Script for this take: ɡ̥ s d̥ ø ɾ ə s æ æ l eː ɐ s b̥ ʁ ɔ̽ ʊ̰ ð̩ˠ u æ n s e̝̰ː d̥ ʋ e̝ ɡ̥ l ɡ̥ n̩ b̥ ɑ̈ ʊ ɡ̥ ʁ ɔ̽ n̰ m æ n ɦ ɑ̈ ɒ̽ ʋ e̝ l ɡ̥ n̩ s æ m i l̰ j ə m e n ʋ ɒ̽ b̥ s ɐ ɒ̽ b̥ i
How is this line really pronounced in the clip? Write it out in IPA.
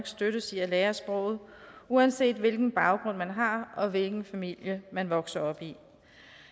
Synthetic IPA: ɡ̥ s d̥ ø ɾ ə s i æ l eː ɐ s b̥ ʁ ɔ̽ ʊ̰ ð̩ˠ u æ n s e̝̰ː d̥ ʋ e̝ l ɡ̥ n̩ b̥ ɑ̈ ʊ ɡ̥ ʁ ɔ̽ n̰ m æ n ɦ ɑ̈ ɒ̽ ʋ e̝ l ɡ̥ n̩ f æ m i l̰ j ə m æ n ʋ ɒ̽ ɡ̥ s ɐ ɒ̽ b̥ i